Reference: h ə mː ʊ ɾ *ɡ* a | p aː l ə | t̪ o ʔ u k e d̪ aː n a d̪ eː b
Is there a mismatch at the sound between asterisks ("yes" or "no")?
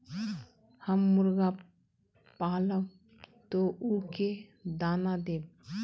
no